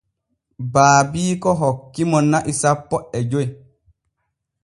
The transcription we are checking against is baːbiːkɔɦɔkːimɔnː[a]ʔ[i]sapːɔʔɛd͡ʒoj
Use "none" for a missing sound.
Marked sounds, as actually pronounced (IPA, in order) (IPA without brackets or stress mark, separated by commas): a, i